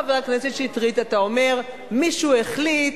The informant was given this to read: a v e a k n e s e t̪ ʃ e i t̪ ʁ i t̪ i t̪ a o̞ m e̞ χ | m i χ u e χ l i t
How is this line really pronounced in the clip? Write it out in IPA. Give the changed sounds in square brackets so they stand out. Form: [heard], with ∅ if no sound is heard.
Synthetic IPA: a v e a k n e s e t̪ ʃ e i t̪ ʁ i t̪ [a] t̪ a o̞ m e̞ [ʁ] | m i [ʃ] u e χ l i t